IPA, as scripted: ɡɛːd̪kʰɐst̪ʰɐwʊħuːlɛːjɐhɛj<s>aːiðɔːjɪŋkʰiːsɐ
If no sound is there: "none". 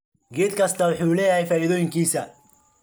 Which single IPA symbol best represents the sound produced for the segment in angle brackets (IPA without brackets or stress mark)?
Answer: f